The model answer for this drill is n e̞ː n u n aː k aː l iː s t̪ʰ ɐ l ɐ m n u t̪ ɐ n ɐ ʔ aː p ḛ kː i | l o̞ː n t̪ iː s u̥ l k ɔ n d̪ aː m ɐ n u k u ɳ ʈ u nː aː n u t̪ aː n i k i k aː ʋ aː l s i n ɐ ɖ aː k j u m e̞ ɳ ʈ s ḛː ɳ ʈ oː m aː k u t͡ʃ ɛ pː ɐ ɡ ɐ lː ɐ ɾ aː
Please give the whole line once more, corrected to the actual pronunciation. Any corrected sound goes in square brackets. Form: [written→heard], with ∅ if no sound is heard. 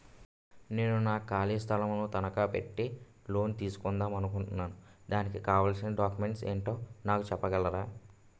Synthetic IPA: n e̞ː n u n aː k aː l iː s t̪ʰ ɐ l ɐ m n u t̪ ɐ n ɐ [ʔ→k] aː p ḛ [kː→ʈː] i | l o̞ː n t̪ iː s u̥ [l→∅] k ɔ n d̪ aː m ɐ n u k u ɳ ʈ u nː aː n u [t̪→d̪] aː n i k i k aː ʋ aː l s i n ɐ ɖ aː k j u m e̞ ɳ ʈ s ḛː ɳ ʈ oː [m→n] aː k u t͡ʃ ɛ pː ɐ ɡ ɐ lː ɐ ɾ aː

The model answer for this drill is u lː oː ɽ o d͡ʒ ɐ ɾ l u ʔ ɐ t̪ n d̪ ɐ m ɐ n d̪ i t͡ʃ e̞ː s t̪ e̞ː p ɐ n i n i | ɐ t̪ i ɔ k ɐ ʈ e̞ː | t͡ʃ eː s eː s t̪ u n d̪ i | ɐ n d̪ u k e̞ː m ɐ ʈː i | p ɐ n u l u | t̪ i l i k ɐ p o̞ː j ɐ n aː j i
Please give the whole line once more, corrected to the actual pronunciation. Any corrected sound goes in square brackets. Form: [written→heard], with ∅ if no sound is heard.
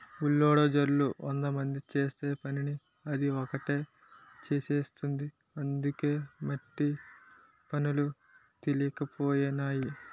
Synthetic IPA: u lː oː ɽ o d͡ʒ ɐ ɾ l u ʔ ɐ [t̪→∅] n d̪ ɐ m ɐ n d̪ i t͡ʃ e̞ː s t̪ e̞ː p ɐ n i n i | ɐ [t̪→d̪] i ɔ k ɐ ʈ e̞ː | t͡ʃ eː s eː s t̪ u n d̪ i | ɐ n d̪ u k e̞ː m ɐ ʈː i | p ɐ n u l u | t̪ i l i k ɐ p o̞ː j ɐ n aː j i

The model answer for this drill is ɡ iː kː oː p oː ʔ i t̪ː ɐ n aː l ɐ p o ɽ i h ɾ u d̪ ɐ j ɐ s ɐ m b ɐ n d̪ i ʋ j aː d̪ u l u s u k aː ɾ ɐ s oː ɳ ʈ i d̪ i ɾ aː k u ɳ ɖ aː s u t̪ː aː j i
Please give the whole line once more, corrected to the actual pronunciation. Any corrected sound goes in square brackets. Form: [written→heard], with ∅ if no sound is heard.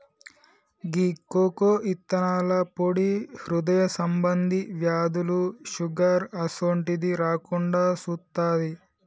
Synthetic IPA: ɡ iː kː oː [p→k] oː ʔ i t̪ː ɐ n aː l ɐ p o ɽ i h ɾ u d̪ ɐ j ɐ s ɐ m b ɐ n d̪ i ʋ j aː d̪ u l u [s→ʃ] u [k→ɡ] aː ɾ ɐ s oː ɳ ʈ i d̪ i ɾ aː k u ɳ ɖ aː s u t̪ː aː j i

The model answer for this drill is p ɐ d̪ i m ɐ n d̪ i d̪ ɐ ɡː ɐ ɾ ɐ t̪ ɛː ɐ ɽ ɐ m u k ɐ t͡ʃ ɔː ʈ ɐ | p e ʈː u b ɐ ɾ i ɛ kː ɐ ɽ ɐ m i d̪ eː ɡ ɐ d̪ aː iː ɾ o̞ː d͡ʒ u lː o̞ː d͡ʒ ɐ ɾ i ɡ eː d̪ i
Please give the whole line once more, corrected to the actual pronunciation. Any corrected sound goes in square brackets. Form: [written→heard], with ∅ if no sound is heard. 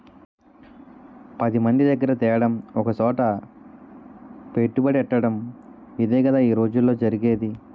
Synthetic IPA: p ɐ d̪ i m ɐ n d̪ i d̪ ɐ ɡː ɐ ɾ ɐ t̪ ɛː ɐ ɽ ɐ m [u→ɔ] k ɐ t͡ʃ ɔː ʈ ɐ | p e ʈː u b ɐ [ɾ→ɽ] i ɛ [kː→ʈː] ɐ ɽ ɐ m i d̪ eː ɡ ɐ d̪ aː iː ɾ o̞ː d͡ʒ u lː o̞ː d͡ʒ ɐ ɾ i ɡ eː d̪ i

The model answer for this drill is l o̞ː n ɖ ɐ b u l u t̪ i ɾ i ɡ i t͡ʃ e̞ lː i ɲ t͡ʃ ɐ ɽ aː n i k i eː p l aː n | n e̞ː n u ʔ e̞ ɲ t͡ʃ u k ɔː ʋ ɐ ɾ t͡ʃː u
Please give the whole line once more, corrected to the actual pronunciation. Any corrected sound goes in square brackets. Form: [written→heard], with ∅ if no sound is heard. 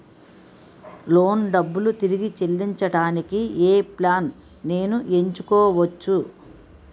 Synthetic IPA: l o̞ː n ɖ ɐ [b→bː] u l u t̪ i ɾ i ɡ i t͡ʃ e̞ lː i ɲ t͡ʃ ɐ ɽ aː n i k i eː p l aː n | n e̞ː n u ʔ e̞ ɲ t͡ʃ u k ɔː ʋ ɐ [ɾ→∅] t͡ʃː u

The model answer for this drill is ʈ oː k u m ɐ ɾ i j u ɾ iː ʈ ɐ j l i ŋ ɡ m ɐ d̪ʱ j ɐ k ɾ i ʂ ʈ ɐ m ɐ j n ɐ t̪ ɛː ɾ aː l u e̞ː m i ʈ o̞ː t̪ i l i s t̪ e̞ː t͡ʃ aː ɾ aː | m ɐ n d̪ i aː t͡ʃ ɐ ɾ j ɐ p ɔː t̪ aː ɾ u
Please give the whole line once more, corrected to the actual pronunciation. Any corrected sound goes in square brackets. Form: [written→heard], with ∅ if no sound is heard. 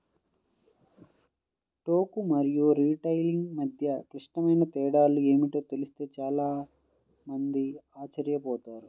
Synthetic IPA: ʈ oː k u m ɐ ɾ i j u ɾ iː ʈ ɐ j l i ŋ ɡ m ɐ d̪ʱ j ɐ k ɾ i ʂ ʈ ɐ m ɐ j n ɐ t̪ ɛː [ɾ→ɽ] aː l u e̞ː m i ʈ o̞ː t̪ [i→e] l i s t̪ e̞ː t͡ʃ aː [ɾ→l] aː | m ɐ n d̪ i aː t͡ʃ ɐ ɾ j ɐ p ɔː t̪ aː ɾ u

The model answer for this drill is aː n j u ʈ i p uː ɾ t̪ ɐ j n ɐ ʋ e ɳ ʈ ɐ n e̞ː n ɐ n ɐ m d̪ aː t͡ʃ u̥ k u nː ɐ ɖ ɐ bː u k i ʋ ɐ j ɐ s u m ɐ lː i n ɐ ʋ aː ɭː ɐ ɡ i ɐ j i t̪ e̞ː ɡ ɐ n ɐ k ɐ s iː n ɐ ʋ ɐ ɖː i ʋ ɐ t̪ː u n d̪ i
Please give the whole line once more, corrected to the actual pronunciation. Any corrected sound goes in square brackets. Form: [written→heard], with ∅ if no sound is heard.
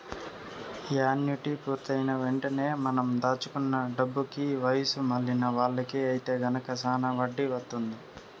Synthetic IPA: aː n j u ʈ i p uː ɾ t̪ ɐ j n ɐ ʋ e ɳ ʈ ɐ n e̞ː [n→m] ɐ n ɐ m d̪ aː t͡ʃ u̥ k u nː ɐ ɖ ɐ bː u k i ʋ ɐ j ɐ s u m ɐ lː i n ɐ ʋ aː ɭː ɐ [ɡ→k] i ɐ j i t̪ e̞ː ɡ ɐ n ɐ k ɐ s [iː→aː] n ɐ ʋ ɐ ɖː i ʋ ɐ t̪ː u n d̪ i

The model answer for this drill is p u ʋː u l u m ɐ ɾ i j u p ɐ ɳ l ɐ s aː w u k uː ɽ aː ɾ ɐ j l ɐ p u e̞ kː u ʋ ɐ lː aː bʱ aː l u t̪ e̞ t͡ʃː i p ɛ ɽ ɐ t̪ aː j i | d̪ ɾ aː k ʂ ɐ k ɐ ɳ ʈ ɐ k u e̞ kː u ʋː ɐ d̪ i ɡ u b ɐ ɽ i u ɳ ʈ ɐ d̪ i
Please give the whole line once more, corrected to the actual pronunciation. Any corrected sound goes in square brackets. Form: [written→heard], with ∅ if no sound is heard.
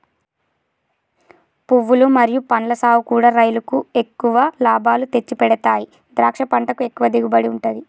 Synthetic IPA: p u ʋː u l u m ɐ ɾ i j u p ɐ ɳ l ɐ s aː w u k uː ɽ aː ɾ ɐ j l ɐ [p→k] u e̞ kː u ʋ ɐ [lː→l] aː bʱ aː l u t̪ e̞ t͡ʃː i p ɛ ɽ ɐ t̪ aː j i | d̪ ɾ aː k ʂ ɐ [k→p] ɐ ɳ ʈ ɐ k u e̞ kː u [ʋː→ʋ] ɐ d̪ i ɡ u b ɐ ɽ i u ɳ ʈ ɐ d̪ i

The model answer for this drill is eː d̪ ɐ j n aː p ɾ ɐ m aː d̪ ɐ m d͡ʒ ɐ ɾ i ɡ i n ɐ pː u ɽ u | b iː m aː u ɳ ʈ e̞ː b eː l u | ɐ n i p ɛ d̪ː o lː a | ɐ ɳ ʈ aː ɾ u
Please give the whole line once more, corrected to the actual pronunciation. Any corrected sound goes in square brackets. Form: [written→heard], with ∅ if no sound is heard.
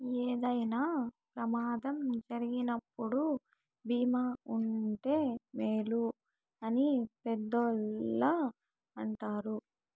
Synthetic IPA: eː d̪ ɐ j n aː p ɾ ɐ m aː d̪ ɐ m d͡ʒ ɐ ɾ i ɡ i n ɐ pː u ɽ u | b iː m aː u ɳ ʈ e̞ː [b→m] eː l u | ɐ n i p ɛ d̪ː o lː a | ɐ ɳ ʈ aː ɾ u

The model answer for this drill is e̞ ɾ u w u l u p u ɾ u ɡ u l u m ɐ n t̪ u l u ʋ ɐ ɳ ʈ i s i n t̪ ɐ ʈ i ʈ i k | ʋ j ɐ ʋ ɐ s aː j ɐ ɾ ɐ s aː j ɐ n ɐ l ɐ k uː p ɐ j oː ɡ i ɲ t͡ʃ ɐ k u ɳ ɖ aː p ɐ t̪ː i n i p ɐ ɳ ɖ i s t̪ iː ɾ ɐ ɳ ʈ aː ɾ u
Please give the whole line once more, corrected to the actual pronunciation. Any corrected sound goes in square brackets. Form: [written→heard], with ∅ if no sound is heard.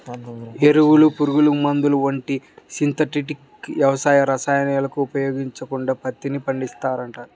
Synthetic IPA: e̞ ɾ u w u l u p u ɾ u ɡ u l u m ɐ n [t̪→d̪] u l u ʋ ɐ ɳ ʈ i s i n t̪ ɐ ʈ i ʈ i k | ʋ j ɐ ʋ ɐ s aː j ɐ ɾ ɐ s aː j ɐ n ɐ l ɐ k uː p ɐ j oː ɡ i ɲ t͡ʃ ɐ k u ɳ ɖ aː p ɐ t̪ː i n i p ɐ ɳ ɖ i s t̪ [iː→aː] ɾ ɐ ɳ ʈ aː ɾ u

